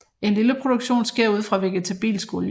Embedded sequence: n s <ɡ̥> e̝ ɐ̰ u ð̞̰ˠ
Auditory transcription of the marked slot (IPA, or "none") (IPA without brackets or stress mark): ɡ̥